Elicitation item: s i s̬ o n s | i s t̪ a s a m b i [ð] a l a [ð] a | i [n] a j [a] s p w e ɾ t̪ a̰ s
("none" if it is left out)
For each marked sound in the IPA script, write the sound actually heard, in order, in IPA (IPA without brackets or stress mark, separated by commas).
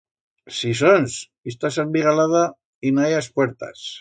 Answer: ɣ, ð, n, a